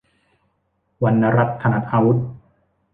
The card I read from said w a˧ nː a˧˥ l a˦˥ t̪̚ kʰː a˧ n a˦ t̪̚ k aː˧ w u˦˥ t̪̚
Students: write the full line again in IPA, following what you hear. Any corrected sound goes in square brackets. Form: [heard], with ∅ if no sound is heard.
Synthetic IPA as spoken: w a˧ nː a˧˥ [ɾ] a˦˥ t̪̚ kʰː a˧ n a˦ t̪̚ [ʔ] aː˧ w u˦˥ t̪̚